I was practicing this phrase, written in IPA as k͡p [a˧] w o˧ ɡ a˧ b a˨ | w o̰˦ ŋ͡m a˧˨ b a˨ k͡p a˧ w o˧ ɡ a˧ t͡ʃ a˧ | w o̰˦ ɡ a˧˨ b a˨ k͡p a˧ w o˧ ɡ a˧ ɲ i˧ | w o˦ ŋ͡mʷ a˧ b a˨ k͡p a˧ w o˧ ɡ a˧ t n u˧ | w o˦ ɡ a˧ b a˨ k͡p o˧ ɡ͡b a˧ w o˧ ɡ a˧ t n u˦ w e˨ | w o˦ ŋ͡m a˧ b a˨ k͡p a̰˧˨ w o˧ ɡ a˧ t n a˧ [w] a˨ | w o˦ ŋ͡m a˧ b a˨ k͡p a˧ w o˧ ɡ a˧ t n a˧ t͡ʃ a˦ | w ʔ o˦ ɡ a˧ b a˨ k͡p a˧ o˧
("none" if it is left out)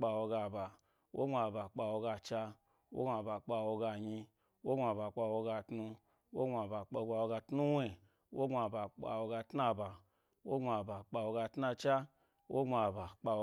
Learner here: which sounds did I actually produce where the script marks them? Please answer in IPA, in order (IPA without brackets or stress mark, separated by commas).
a˧, b